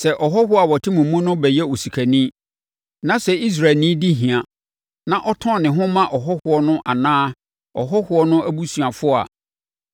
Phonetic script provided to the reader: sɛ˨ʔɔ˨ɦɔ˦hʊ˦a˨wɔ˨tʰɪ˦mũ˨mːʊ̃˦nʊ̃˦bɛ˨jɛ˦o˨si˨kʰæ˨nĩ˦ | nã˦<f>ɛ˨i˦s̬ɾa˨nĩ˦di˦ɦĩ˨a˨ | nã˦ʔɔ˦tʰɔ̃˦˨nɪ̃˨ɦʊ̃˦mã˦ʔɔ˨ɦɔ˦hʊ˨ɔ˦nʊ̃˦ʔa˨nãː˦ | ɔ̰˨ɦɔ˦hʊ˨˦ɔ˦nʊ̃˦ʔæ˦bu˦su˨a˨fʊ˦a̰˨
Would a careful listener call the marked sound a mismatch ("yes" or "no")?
yes